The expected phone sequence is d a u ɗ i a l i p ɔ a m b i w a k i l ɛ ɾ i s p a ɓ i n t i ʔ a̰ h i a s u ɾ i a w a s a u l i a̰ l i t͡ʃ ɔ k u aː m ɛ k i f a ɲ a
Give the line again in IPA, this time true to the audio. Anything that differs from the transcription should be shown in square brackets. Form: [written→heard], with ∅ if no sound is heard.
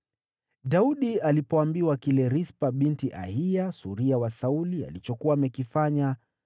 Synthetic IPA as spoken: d a u ɗ i a l i p ɔ a m b i w a k i l ɛ ɾ i s p a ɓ i n t i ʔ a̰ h i a s u ɾ i a w a s a u l i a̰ l i t͡ʃ ɔ k u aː m ɛ k i f a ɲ a